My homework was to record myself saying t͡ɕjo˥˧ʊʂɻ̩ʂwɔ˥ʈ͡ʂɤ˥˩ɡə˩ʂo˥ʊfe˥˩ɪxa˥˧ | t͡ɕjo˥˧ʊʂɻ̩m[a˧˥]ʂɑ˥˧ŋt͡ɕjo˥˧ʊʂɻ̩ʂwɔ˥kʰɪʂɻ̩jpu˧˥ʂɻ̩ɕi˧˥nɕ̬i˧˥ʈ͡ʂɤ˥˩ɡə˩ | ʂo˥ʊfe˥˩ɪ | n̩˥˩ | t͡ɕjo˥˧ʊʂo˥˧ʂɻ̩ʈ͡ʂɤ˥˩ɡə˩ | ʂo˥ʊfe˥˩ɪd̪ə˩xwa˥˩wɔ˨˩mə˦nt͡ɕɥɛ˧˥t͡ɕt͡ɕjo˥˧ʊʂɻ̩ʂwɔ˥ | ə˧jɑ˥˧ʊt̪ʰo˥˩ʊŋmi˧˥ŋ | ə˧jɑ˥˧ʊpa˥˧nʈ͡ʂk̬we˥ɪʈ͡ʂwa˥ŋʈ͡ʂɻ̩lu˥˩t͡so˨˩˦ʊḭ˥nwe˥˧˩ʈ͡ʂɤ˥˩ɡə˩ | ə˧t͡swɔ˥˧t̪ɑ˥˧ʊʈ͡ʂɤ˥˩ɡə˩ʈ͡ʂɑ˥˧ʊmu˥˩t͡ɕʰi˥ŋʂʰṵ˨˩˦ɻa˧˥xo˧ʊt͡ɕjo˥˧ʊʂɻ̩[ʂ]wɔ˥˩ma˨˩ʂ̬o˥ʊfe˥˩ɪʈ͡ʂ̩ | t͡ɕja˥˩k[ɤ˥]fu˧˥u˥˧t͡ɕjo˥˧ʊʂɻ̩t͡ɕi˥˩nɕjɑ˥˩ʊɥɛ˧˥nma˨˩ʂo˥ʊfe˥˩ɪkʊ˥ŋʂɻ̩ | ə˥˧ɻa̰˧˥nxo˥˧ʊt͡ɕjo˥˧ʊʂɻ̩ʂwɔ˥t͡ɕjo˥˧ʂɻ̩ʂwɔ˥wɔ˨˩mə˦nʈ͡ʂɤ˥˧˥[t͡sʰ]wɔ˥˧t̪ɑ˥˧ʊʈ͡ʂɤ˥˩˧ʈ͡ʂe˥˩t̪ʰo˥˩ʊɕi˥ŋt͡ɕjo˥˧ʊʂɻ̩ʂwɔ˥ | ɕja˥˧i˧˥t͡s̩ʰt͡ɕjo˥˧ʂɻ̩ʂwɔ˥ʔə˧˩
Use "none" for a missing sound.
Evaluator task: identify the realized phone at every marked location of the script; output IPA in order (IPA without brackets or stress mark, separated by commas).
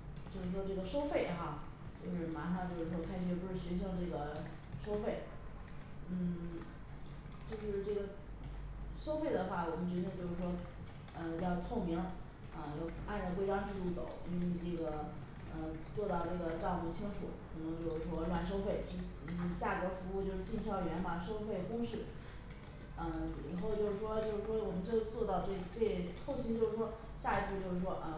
a˧˥, ʂ, ɤ˧˥, t͡s